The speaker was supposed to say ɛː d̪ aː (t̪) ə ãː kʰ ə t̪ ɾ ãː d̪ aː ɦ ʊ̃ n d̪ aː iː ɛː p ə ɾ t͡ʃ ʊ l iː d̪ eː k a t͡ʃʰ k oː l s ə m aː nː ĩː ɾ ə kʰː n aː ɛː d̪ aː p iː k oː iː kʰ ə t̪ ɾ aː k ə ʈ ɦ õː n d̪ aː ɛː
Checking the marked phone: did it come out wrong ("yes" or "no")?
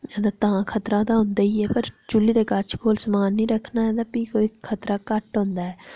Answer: no